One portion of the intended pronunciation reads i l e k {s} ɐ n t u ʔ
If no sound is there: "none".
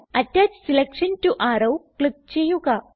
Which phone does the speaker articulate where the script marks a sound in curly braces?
ʂ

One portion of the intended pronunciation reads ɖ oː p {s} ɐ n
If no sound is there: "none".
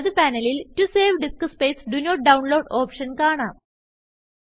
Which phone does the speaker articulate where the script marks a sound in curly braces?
ʂ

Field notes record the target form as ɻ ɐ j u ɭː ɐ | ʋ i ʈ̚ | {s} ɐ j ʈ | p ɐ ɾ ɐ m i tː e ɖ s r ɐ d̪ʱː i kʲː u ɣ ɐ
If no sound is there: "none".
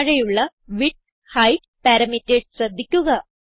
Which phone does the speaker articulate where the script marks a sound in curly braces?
h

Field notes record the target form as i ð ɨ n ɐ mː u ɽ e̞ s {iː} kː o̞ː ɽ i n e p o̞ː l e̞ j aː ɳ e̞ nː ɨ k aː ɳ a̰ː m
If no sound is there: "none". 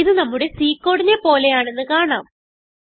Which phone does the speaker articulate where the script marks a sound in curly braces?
iː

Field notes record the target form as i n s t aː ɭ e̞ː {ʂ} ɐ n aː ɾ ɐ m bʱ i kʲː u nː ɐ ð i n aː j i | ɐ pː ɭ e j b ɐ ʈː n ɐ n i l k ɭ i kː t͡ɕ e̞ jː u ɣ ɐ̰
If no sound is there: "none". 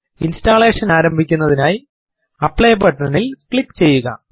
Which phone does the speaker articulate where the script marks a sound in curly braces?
ʂ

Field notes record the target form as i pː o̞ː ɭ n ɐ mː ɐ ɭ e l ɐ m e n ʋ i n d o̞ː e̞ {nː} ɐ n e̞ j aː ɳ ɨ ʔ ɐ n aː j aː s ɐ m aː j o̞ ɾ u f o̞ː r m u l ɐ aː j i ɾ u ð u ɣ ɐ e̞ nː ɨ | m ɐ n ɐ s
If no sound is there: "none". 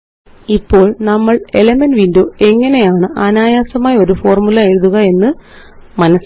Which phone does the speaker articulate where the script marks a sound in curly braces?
ŋː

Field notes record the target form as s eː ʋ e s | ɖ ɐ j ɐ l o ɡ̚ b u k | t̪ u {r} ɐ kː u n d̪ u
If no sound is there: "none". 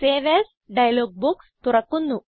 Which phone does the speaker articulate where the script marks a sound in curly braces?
ɾ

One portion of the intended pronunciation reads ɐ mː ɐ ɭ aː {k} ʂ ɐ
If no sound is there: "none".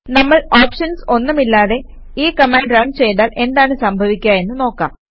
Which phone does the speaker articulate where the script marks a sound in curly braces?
p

